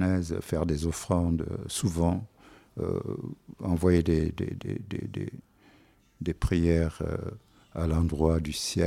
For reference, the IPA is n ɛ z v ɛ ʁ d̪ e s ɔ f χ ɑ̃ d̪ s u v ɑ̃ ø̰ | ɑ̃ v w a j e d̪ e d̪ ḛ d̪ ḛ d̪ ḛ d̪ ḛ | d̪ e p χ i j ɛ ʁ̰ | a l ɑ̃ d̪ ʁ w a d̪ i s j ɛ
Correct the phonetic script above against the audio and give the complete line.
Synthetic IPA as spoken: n ɛ z f ɛ ʁ d̪ e z ɔ f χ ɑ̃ d̪ s u v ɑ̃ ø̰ | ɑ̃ v w a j e d̪ e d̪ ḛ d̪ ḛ d̪ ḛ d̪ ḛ | d̪ e p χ i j ɛ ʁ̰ | a l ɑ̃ d̪ ʁ w a d̪ y s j ɛ